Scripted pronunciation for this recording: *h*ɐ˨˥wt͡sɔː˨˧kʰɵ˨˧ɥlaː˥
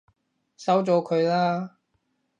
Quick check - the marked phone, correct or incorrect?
incorrect